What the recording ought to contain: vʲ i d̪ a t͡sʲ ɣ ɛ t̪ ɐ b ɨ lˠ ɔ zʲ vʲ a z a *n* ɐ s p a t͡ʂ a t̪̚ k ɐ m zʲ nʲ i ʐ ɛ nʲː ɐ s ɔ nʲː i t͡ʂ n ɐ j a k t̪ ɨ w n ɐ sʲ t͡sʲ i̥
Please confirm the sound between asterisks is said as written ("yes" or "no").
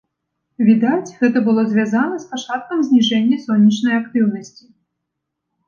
yes